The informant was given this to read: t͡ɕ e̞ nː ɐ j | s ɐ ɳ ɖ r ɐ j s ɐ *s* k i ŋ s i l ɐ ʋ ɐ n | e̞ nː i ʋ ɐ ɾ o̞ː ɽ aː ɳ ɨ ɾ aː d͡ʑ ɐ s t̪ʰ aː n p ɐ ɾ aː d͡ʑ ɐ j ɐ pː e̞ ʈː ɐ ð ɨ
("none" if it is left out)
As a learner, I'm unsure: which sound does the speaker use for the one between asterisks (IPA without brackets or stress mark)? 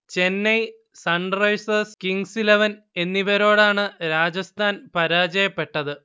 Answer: s